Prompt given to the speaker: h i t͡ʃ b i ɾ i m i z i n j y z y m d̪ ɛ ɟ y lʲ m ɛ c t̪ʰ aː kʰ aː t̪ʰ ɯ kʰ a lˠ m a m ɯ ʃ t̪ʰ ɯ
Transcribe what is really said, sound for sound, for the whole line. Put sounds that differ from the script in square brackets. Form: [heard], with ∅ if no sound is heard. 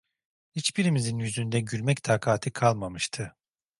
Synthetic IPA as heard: h i t͡ʃ b i ɾ i m i z i n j y z y [n] d̪ ɛ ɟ y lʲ m ɛ c t̪ʰ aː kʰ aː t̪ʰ ɯ kʰ a lˠ m a m ɯ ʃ t̪ʰ ɯ